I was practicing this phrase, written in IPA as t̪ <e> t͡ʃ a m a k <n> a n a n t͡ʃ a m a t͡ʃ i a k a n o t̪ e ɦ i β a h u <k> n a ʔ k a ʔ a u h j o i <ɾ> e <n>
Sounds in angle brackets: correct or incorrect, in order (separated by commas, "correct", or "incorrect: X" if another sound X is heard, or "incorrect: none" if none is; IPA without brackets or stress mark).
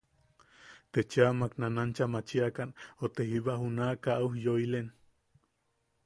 correct, correct, incorrect: none, incorrect: l, correct